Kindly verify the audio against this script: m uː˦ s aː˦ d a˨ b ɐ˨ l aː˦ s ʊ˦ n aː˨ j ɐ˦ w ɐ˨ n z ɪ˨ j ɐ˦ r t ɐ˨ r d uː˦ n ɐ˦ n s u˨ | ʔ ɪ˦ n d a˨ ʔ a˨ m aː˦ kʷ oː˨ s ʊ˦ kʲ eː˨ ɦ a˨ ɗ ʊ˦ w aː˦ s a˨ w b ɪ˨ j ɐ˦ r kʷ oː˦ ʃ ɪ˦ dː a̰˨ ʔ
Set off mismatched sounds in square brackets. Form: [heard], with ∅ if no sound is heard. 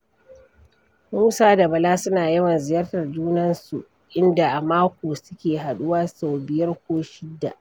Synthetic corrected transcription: m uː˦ s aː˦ d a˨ b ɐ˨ l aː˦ s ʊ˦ n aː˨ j ɐ˦ w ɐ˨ n z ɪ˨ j ɐ˦ r t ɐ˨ r [d͡ʒ] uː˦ n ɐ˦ n s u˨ | ʔ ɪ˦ n d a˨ ʔ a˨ m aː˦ kʷ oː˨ s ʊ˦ kʲ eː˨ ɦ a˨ ɗ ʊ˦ w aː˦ s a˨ w b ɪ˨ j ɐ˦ r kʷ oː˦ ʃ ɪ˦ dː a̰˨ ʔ